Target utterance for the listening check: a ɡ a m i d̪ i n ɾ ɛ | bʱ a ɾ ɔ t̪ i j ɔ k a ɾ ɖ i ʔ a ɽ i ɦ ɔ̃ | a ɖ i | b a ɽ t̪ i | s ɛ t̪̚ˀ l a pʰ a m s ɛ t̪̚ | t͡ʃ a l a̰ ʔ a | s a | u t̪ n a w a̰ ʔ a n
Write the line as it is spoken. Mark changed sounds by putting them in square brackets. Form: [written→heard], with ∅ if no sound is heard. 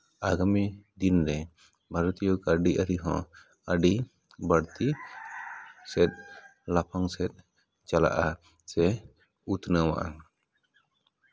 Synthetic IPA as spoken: a ɡ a m i d̪ i n ɾ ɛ | bʱ a ɾ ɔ t̪ i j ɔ k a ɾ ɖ i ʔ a [ɽ→ɾ] i ɦ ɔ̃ | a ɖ i | b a ɽ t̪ i | s ɛ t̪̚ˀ l a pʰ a [m→ŋ] s ɛ t̪̚ | t͡ʃ a l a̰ ʔ a | s [a→ɛ] | u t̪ n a w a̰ ʔ a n